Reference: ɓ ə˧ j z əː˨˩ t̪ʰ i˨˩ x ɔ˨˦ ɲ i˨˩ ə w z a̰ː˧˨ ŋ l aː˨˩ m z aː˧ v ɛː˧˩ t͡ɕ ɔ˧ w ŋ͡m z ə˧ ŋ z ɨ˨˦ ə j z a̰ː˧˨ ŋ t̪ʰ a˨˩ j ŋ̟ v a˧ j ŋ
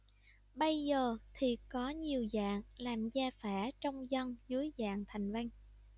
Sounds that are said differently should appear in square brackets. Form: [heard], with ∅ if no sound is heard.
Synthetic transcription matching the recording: ɓ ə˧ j z əː˨˩ t̪ʰ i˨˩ [k] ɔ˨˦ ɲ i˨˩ ə w z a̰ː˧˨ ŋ l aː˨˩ m z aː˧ [f] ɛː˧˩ t͡ɕ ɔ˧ w ŋ͡m z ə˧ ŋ z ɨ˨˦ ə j z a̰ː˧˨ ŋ t̪ʰ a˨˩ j ŋ̟ v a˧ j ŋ

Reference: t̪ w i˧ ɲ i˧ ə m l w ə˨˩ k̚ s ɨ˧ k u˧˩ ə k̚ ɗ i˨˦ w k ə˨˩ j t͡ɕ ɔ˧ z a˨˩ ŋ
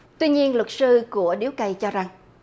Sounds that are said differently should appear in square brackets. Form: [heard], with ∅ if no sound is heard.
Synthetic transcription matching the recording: t̪ w i˧ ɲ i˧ ə [n] l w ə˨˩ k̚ s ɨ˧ k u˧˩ ə [∅] ɗ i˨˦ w k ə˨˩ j t͡ɕ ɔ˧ z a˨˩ ŋ

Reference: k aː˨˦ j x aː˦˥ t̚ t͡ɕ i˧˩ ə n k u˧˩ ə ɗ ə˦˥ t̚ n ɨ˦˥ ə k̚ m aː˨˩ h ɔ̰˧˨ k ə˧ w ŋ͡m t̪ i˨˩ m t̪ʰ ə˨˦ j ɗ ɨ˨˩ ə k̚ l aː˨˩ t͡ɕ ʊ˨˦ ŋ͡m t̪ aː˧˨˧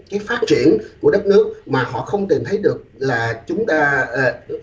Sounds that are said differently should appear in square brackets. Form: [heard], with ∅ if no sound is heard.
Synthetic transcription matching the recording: k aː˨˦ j [f] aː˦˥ t̚ t͡ɕ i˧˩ ə n k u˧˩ ə ɗ ə˦˥ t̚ n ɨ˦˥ ə k̚ m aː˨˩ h ɔ̰˧˨ [x] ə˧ w ŋ͡m t̪ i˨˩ m t̪ʰ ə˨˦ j ɗ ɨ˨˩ ə k̚ l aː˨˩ t͡ɕ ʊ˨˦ ŋ͡m t̪ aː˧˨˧

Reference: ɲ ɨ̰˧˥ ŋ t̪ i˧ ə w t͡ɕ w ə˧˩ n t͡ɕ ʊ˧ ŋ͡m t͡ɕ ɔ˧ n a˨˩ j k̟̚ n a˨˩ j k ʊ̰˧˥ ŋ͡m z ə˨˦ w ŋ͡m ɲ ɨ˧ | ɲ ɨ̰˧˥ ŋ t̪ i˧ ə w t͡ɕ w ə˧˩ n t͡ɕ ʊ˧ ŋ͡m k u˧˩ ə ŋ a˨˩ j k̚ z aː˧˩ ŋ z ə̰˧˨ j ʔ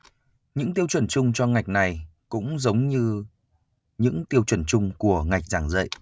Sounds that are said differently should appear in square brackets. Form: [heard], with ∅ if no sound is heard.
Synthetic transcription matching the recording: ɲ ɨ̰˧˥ ŋ t̪ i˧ ə w t͡ɕ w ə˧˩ n t͡ɕ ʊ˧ ŋ͡m t͡ɕ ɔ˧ [ŋ] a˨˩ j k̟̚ n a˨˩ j k ʊ̰˧˥ ŋ͡m z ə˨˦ w ŋ͡m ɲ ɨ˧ | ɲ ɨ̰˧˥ ŋ t̪ i˧ ə w t͡ɕ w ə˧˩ n t͡ɕ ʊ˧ ŋ͡m k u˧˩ ə ŋ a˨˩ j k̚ z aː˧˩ ŋ z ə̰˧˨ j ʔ

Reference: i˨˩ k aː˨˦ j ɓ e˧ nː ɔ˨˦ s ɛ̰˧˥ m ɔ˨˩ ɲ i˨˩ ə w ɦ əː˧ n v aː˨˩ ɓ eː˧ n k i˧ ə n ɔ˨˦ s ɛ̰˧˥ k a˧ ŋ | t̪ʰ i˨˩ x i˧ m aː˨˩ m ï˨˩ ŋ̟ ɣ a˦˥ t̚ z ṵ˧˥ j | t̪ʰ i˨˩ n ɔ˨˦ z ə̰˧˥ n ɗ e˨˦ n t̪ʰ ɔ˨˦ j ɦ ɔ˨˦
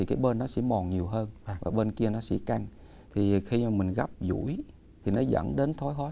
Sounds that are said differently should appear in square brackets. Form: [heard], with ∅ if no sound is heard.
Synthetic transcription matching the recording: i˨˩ k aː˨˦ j ɓ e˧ nː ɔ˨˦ s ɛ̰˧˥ m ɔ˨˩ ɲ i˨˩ ə w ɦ əː˧ n v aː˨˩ ɓ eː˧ n k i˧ ə n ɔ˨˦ s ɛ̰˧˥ k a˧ ŋ | t̪ʰ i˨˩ x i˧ m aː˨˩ m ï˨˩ ŋ̟ ɣ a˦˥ [p̚] z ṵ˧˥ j | t̪ʰ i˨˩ n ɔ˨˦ z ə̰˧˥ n ɗ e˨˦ n t̪ʰ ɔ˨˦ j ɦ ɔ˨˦

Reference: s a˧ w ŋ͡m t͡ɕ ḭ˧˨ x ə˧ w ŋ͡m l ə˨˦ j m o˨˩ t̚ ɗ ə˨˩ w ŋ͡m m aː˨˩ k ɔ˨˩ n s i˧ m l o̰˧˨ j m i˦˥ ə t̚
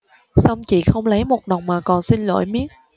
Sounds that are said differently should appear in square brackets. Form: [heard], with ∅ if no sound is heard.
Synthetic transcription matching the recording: s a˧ w ŋ͡m t͡ɕ ḭ˧˨ x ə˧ w ŋ͡m l ə˨˦ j m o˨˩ t̚ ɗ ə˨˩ w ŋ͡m m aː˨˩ k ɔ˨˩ n s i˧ [n] l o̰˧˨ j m i˦˥ ə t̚

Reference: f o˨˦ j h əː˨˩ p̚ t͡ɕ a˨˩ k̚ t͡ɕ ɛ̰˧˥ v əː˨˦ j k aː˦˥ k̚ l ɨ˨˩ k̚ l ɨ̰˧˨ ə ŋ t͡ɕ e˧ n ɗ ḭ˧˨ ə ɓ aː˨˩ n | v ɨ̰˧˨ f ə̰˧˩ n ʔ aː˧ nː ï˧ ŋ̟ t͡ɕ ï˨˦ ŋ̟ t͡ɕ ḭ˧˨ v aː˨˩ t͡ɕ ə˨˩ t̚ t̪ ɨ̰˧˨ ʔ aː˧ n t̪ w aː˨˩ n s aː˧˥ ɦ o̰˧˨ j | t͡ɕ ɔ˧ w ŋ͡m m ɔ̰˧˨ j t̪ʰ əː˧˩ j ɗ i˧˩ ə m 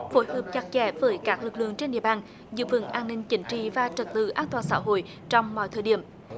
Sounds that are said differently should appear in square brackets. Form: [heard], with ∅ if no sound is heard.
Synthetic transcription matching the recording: f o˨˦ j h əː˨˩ p̚ t͡ɕ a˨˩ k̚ t͡ɕ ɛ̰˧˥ v əː˨˦ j k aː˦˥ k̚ l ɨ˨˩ k̚ l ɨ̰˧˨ ə ŋ t͡ɕ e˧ n ɗ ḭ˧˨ ə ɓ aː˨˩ n | [z] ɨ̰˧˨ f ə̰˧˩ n ʔ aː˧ nː ï˧ ŋ̟ t͡ɕ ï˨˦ ŋ̟ t͡ɕ ḭ˧˨ v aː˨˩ t͡ɕ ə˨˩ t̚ t̪ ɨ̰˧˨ ʔ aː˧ n t̪ w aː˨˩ n s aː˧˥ ɦ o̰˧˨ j | t͡ɕ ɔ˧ w ŋ͡m m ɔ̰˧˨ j t̪ʰ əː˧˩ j ɗ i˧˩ ə m

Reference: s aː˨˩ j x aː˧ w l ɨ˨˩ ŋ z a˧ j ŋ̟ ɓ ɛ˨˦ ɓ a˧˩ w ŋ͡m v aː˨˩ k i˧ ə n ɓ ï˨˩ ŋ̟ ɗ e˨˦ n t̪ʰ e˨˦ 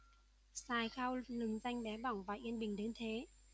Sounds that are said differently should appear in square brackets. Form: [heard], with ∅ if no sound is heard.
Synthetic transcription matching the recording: s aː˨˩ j x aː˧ w l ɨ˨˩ ŋ z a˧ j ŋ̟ ɓ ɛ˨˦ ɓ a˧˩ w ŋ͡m v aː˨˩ [ʔ] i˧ ə n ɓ ï˨˩ ŋ̟ ɗ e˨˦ n t̪ʰ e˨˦

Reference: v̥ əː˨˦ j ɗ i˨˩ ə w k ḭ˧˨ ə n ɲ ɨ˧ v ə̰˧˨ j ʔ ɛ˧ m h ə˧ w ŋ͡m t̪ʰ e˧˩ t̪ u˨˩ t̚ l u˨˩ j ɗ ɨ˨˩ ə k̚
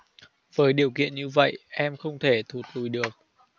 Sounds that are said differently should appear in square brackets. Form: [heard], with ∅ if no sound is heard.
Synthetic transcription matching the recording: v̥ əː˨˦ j ɗ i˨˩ ə w k ḭ˧˨ ə n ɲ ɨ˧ v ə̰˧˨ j ʔ ɛ˧ m [x] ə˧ w ŋ͡m t̪ʰ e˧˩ [t̪ʰ] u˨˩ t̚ l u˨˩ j ɗ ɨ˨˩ ə k̚

